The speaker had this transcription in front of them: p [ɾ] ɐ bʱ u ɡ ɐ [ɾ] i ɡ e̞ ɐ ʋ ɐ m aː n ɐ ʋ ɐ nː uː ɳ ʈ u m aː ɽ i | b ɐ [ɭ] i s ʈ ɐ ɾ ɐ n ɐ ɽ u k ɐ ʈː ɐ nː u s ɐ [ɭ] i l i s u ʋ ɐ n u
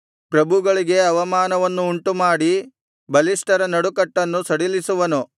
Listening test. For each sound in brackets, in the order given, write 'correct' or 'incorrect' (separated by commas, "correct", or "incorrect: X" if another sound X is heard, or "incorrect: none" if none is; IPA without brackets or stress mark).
correct, incorrect: ɭ, incorrect: l, incorrect: ɽ